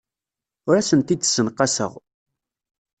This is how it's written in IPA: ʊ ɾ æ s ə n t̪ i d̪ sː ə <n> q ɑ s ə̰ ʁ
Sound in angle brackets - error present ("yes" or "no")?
no